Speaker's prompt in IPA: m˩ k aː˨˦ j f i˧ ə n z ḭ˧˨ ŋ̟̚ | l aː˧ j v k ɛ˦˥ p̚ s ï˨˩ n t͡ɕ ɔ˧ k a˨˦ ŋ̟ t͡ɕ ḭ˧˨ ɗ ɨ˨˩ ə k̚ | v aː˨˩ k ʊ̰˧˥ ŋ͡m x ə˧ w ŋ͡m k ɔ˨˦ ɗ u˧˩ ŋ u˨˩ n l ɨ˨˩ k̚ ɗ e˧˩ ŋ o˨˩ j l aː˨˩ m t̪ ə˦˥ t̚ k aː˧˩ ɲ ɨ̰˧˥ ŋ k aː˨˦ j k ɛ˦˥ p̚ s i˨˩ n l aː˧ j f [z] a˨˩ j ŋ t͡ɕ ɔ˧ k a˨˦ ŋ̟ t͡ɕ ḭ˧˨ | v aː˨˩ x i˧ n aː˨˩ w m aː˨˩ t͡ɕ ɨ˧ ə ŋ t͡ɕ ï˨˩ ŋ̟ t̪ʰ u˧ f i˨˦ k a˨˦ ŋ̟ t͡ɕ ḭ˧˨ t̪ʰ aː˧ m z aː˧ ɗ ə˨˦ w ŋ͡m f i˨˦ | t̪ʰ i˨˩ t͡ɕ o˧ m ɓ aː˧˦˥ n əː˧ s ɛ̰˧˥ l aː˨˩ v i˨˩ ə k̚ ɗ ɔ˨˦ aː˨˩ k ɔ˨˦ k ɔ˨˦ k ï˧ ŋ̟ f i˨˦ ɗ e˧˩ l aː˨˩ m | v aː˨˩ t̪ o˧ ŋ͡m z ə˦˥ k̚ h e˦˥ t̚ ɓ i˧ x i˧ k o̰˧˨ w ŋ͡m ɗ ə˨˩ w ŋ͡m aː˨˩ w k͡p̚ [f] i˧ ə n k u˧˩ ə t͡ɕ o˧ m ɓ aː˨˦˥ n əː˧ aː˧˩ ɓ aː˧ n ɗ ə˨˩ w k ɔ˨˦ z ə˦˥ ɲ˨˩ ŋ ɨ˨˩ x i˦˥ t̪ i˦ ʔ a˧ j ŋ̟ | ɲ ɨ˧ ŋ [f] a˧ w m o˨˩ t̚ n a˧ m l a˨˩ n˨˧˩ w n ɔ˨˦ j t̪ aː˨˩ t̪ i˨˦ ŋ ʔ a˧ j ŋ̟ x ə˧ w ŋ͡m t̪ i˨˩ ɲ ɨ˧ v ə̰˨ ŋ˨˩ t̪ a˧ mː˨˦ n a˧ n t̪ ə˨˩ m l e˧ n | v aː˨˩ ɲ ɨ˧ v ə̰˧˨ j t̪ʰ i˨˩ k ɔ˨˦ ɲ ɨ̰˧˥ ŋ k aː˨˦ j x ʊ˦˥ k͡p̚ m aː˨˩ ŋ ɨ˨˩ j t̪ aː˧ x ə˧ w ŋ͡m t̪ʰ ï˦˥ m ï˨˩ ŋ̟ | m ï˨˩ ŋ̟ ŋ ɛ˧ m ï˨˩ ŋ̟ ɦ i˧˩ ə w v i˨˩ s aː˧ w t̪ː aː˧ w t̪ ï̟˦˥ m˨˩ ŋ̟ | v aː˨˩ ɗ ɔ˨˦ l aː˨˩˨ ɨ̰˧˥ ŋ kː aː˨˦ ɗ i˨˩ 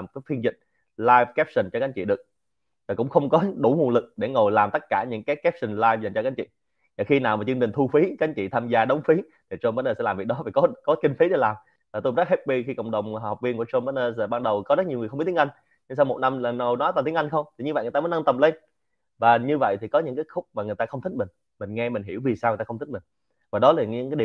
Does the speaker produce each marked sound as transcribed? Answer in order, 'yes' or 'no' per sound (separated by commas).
yes, no, no